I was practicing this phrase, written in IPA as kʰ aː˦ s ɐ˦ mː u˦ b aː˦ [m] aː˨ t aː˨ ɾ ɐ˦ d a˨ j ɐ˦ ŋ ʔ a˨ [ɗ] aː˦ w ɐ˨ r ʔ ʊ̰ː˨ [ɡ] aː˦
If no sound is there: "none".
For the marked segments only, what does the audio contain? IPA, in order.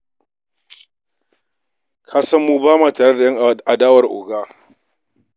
m, d, ɡ

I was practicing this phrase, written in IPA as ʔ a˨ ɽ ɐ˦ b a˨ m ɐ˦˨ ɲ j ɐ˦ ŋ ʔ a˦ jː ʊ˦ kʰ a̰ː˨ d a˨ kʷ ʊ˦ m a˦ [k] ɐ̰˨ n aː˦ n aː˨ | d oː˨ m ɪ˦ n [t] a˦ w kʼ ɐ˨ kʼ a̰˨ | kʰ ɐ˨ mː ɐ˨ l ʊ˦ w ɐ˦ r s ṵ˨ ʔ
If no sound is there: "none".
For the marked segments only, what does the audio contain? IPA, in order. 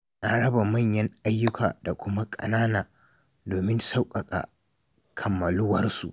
kʼ, s

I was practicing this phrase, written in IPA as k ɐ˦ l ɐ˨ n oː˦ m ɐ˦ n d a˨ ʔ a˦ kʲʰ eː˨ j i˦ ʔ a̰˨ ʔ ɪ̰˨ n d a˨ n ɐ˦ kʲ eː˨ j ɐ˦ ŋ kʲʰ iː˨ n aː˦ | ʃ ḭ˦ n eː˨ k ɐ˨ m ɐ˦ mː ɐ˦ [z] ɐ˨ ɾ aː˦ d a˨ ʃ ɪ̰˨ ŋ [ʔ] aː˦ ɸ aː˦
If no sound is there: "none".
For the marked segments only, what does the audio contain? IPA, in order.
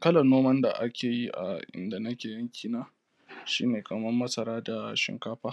s, k

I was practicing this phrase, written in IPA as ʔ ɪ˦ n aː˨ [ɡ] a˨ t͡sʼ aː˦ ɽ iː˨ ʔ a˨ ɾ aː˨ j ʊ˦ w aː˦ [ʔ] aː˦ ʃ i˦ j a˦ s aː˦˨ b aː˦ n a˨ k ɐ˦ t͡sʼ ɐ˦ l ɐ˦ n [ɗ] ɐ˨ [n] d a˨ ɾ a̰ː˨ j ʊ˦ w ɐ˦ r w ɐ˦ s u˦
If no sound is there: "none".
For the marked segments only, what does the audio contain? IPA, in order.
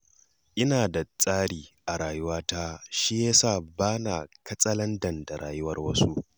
d, t, d, n

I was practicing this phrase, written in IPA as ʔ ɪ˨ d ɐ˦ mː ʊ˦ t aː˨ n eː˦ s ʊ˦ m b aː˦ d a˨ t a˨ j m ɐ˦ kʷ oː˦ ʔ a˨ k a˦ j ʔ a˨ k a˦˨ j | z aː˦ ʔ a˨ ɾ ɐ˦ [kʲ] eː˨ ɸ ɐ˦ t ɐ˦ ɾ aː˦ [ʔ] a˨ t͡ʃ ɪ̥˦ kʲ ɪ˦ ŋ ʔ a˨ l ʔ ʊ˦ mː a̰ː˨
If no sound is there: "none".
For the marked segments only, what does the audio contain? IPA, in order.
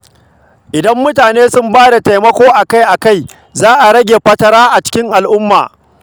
ɡʲ, ʔ

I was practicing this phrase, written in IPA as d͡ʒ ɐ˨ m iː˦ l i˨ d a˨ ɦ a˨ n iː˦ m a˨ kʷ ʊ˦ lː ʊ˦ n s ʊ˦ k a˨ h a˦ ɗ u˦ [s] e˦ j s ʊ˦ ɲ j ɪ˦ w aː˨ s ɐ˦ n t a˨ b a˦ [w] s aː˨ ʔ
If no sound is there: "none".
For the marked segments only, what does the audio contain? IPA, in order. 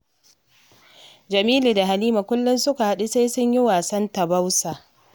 s, w

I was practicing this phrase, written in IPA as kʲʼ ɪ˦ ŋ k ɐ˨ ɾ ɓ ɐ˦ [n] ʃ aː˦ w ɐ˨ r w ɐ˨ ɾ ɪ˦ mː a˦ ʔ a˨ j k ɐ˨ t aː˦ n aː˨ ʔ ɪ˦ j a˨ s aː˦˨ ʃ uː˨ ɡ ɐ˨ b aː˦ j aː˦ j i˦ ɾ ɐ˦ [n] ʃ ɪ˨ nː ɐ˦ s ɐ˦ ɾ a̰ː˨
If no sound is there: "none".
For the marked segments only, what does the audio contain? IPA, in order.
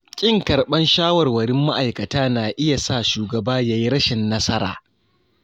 n, none

